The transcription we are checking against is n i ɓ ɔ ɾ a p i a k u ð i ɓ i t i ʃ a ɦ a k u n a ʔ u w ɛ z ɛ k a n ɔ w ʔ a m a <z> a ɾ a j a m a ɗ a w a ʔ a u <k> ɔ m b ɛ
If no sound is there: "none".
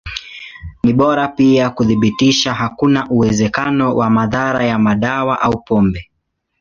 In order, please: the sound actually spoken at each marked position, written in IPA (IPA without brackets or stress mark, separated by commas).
ð, p